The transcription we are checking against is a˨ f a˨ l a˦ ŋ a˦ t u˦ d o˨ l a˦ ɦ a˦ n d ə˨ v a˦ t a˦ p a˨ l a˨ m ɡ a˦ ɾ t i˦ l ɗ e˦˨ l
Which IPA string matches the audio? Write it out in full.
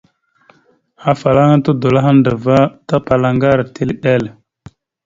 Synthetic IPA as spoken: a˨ f a˨ l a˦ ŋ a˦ t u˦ d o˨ l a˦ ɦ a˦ n d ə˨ v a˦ t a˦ p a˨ l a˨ ŋ ɡ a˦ ɾ t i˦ l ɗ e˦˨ l